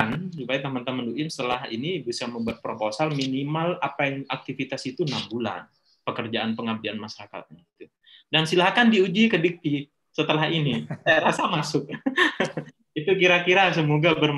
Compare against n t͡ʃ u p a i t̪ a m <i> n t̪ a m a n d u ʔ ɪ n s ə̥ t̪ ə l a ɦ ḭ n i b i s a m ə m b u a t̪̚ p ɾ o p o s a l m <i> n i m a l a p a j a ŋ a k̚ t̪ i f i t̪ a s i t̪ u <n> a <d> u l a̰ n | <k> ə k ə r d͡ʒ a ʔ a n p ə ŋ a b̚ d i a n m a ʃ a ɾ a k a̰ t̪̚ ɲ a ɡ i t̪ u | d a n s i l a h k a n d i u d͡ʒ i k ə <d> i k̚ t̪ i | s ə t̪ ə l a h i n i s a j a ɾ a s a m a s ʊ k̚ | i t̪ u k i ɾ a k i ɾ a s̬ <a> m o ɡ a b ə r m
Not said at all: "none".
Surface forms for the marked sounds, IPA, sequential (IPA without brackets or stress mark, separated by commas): a, i, n, b, p, d, ə